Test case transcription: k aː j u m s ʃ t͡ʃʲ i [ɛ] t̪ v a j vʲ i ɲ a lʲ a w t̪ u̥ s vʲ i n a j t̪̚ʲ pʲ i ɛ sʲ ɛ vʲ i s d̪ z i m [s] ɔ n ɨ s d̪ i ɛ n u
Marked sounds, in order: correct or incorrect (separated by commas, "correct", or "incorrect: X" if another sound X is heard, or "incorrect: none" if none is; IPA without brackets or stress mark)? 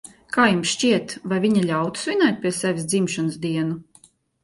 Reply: correct, incorrect: ʃ